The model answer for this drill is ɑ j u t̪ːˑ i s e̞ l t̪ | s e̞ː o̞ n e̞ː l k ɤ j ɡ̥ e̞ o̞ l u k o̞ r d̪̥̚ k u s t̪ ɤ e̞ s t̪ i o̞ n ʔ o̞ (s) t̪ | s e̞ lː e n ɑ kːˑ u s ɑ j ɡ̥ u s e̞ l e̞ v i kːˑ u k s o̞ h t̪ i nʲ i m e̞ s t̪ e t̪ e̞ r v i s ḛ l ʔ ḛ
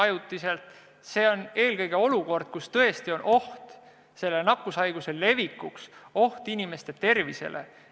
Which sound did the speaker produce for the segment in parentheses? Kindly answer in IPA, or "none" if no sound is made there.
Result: h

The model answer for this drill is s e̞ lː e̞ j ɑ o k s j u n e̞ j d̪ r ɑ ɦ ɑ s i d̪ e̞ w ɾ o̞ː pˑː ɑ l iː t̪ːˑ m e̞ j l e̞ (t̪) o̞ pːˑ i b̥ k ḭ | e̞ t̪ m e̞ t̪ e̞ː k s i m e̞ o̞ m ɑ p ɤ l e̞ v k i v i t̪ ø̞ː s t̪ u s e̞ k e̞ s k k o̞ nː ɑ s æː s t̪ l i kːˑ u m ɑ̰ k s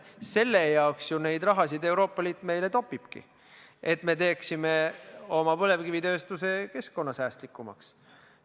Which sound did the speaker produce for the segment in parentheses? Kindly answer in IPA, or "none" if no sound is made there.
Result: t̪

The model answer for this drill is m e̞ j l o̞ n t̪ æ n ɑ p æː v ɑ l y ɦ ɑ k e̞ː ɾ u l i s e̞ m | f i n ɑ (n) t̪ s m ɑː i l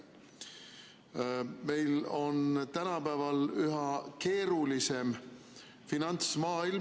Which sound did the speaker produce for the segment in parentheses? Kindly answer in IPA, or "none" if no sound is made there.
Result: n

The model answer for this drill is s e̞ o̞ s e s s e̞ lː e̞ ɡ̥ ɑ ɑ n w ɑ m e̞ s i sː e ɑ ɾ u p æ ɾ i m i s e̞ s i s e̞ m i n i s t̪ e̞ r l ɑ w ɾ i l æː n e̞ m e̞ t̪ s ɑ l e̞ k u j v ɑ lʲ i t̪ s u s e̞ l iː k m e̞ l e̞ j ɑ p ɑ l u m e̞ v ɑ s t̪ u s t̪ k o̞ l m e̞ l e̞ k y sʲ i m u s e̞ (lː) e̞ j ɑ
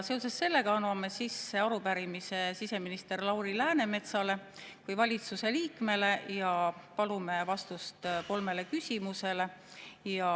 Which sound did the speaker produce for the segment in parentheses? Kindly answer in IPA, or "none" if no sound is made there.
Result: l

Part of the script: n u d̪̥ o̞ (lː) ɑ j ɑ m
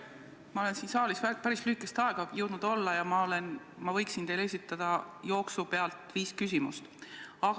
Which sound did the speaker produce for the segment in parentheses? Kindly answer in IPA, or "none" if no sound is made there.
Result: lː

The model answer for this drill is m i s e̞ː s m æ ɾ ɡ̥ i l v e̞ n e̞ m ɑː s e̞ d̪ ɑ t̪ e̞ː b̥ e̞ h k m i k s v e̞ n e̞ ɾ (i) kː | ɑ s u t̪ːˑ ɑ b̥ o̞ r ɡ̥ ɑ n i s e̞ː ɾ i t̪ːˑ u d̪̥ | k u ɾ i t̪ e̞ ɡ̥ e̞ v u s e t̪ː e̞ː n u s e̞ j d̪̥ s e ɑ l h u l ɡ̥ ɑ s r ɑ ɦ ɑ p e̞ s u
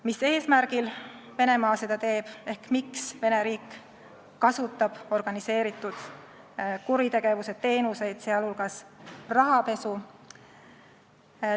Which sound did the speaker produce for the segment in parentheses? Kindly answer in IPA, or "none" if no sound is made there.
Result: iː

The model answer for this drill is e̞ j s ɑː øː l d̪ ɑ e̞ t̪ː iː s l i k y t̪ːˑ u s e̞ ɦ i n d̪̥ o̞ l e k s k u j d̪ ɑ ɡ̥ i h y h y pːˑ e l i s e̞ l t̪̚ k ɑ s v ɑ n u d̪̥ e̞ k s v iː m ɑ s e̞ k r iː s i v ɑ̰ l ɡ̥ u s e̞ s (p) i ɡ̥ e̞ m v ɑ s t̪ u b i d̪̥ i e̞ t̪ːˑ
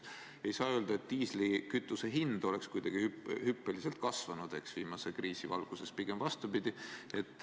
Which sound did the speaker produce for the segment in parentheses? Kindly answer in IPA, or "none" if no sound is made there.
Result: p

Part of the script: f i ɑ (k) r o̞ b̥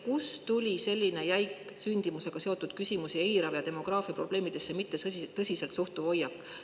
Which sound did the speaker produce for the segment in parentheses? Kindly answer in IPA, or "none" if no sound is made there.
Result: p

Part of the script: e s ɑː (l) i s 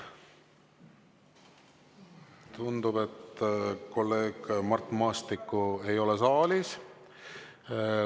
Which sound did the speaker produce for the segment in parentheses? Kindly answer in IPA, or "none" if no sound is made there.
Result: l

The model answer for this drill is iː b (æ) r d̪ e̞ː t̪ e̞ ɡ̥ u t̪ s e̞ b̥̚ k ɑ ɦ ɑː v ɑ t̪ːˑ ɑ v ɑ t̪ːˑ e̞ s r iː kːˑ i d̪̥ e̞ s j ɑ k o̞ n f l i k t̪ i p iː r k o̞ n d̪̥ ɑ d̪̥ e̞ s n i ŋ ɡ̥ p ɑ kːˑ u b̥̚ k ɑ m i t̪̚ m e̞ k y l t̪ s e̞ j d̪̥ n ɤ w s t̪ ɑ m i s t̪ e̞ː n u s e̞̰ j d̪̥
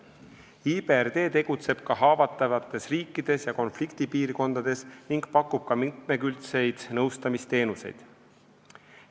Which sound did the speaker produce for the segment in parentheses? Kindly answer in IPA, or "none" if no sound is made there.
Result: e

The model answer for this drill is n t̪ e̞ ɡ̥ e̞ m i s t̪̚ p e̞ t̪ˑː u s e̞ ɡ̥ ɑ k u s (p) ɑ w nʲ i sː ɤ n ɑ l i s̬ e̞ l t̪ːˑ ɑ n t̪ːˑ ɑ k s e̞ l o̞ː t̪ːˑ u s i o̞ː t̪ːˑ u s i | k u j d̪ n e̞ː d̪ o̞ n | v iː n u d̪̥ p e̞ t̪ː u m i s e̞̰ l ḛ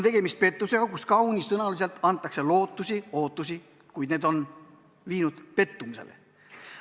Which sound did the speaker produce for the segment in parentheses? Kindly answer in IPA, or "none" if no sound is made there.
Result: k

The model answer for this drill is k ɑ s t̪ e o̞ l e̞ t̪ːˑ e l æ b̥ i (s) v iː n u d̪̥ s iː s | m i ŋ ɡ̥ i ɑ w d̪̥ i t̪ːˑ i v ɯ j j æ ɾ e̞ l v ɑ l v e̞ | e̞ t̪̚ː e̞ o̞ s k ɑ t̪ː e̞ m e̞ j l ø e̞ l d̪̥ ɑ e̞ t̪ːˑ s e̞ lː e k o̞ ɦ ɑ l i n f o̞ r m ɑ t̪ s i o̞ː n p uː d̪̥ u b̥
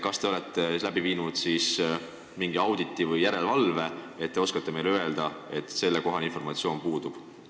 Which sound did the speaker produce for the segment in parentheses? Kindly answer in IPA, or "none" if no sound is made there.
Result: none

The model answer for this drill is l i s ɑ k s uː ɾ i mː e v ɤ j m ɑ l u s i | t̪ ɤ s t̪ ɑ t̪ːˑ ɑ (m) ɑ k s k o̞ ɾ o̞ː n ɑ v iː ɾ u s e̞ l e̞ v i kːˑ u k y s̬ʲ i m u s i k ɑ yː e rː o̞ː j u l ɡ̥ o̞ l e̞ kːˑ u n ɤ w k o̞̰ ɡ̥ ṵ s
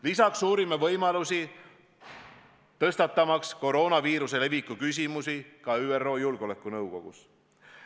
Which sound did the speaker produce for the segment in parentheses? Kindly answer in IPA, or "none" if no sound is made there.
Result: m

